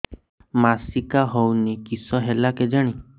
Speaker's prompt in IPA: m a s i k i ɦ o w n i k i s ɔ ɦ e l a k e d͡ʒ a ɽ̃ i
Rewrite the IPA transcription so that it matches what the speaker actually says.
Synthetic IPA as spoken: m a s i k a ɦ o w n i k i s ɔ ɦ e l a k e d͡ʒ a ɽ̃ i